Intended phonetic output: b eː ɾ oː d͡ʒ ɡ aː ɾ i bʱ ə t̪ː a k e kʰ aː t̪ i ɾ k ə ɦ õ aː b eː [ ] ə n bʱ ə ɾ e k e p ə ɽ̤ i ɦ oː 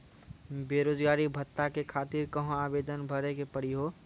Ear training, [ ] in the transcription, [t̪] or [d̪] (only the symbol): d̪